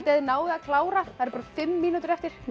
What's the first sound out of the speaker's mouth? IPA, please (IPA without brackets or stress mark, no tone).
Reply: t̪